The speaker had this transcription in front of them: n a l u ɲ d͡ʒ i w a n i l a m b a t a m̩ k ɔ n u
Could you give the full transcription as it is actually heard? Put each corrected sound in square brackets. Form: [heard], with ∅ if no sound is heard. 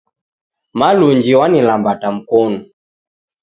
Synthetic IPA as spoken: [m] a l u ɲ d͡ʒ i w a n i l a m b a t a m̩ k ɔ n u